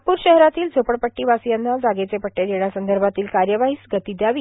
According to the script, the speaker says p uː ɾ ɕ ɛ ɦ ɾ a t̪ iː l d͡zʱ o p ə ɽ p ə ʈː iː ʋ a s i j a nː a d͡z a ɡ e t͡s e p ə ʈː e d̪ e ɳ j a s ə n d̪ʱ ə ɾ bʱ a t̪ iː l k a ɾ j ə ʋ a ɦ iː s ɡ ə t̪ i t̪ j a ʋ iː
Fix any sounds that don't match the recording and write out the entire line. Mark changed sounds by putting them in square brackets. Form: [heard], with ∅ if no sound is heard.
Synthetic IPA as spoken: p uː ɾ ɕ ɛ ɦ ɾ a t̪ iː l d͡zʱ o p ə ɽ p ə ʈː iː ʋ a s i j a nː a d͡z a ɡ e t͡s e p ə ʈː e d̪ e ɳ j a s ə n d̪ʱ ə ɾ bʱ a t̪ iː l k a ɾ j ə ʋ a ɦ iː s ɡ ə t̪ i [d̪] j a ʋ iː